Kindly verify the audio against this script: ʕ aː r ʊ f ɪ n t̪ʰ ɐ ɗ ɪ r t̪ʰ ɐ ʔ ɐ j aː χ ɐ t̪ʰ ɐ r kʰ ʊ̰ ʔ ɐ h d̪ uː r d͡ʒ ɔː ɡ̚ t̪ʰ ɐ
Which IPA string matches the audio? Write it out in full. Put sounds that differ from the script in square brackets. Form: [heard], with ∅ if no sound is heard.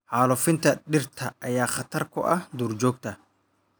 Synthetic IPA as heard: ʕ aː [l] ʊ f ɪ n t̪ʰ ɐ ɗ ɪ r t̪ʰ ɐ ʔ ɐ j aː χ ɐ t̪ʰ ɐ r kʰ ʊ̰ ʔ ɐ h d̪ uː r d͡ʒ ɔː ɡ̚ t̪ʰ ɐ